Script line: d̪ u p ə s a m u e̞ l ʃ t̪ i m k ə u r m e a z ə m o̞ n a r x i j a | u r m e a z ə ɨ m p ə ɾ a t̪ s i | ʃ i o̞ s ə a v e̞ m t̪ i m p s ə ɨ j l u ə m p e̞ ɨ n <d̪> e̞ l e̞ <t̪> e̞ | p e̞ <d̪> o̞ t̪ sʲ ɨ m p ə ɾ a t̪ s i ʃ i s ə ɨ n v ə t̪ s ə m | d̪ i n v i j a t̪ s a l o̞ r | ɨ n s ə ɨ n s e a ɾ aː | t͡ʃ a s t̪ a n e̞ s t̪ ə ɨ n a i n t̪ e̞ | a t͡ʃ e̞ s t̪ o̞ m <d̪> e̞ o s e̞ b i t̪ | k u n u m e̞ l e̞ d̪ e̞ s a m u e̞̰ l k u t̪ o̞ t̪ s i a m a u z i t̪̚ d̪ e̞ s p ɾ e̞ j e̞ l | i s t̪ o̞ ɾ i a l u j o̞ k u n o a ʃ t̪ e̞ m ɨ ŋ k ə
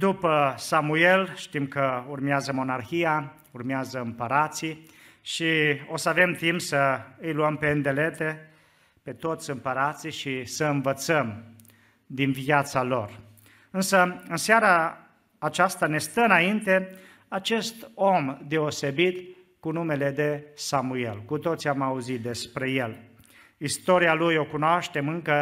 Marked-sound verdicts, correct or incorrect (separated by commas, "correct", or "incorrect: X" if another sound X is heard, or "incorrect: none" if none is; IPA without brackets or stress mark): correct, correct, incorrect: t̪, correct